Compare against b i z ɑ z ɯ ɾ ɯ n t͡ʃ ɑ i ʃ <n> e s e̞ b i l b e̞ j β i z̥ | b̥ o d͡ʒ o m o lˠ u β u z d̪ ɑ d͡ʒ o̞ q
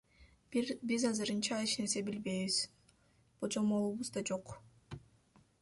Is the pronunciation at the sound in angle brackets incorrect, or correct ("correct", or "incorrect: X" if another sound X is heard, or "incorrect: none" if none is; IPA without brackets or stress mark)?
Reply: correct